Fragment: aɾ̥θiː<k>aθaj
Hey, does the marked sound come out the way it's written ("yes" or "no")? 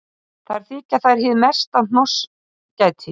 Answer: no